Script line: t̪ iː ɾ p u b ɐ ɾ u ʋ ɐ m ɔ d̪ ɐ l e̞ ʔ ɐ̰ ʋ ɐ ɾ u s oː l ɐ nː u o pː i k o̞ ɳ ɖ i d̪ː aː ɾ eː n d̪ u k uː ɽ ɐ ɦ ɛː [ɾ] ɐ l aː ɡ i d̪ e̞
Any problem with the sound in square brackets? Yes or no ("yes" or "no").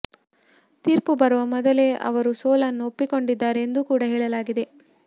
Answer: yes